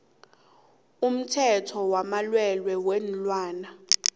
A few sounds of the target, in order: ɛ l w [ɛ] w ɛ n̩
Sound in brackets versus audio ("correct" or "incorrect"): correct